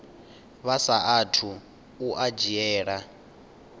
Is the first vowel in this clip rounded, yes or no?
no